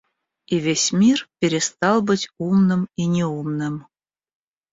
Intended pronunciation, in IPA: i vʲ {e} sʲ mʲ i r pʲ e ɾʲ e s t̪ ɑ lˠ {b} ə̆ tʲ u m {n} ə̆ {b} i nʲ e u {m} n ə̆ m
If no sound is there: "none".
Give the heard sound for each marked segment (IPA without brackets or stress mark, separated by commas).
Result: e, b, n, m, m